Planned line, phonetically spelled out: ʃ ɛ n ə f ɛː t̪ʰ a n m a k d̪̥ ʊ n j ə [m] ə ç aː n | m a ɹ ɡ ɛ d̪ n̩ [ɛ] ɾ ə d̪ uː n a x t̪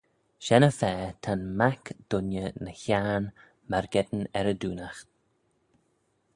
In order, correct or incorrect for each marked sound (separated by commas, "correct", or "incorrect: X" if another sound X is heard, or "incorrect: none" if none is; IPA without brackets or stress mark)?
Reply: incorrect: n, correct